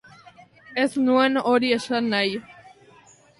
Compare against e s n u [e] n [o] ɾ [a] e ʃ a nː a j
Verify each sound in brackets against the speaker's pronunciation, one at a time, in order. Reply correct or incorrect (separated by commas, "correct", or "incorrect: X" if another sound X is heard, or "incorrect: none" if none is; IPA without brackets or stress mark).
correct, correct, incorrect: i